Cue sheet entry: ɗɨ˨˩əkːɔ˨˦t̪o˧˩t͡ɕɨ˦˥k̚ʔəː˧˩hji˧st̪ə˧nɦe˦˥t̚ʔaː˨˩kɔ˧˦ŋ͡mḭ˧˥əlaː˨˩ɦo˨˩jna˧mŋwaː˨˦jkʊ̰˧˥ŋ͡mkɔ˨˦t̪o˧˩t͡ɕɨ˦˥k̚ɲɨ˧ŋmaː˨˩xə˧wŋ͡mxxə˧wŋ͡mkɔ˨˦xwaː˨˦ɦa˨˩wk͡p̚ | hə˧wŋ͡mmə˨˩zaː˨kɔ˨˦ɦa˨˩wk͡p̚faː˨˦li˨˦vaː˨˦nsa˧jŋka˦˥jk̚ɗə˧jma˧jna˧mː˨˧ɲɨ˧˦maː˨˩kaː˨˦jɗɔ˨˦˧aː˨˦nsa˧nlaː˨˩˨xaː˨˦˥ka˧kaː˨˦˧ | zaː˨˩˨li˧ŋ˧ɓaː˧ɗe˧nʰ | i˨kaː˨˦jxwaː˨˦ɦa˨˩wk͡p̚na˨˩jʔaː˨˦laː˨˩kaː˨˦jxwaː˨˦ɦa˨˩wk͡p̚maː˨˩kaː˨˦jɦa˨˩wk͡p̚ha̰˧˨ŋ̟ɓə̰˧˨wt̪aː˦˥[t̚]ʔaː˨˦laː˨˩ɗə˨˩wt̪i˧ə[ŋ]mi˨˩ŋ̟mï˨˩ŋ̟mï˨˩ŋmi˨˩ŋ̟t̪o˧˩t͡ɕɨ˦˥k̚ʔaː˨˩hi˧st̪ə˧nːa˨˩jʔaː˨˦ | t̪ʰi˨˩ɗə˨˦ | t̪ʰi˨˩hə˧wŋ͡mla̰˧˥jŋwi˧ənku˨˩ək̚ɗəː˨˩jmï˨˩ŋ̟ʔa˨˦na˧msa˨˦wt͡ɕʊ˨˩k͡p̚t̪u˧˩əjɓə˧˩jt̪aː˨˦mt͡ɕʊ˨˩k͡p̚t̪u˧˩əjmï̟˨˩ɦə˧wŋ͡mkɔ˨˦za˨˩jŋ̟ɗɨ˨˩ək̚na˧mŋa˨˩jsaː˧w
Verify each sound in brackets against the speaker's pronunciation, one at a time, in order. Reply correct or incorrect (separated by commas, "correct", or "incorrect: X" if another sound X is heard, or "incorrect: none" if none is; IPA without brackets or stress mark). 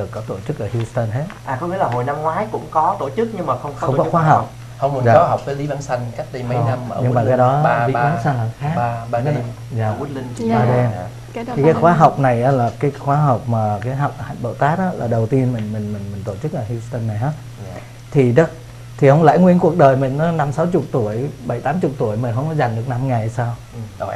correct, incorrect: n